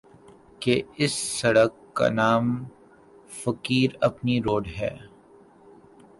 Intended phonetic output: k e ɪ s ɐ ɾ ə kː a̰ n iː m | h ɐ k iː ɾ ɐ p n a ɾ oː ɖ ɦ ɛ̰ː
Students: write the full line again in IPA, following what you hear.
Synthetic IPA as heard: k e ɪ sː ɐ ɽ ə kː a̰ n aː m | f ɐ k iː ɾ ɐ p n i ɾ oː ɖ ɦ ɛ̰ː